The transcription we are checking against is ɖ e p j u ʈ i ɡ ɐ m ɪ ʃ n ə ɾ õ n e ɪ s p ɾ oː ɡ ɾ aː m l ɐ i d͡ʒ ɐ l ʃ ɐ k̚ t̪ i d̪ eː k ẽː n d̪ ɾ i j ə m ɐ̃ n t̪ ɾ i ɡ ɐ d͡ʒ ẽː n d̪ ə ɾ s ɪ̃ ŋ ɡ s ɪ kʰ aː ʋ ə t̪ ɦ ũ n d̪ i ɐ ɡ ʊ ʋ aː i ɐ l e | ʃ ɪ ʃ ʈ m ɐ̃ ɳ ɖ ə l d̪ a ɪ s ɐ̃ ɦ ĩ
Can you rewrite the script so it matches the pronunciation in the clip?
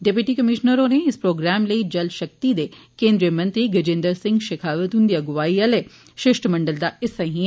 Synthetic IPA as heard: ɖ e p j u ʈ i k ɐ m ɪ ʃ n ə ɾ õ n e ɪ s p ɾ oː ɡ ɾ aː m l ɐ i d͡ʒ ɐ l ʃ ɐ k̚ t̪ i d̪ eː k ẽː n d̪ ɾ i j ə m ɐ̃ n t̪ ɾ i ɡ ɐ d͡ʒ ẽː n d̪ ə ɾ s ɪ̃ ŋ ɡ ʃ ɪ kʰ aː ʋ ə t̪ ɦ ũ n d̪ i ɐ ɡ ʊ ʋ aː i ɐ l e | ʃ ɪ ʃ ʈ m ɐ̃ ɳ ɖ ə l d̪ a ɪ s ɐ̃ ɦ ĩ